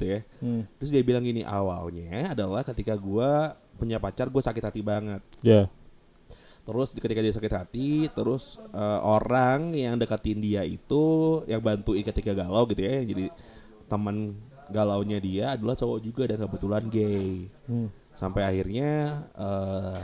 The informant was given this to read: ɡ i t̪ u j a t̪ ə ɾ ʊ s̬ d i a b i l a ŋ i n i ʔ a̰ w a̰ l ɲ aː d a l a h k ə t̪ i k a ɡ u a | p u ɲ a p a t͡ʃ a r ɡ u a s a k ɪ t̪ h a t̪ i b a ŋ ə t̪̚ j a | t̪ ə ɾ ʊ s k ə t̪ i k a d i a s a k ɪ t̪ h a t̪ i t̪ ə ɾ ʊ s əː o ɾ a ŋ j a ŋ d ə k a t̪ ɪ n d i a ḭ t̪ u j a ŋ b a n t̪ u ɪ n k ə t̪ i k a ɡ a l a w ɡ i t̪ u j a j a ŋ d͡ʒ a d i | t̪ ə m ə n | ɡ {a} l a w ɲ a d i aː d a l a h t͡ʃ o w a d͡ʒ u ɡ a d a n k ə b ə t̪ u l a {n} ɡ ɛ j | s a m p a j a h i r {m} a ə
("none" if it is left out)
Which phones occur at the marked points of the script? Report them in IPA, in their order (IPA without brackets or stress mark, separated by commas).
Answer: a, n, ɲ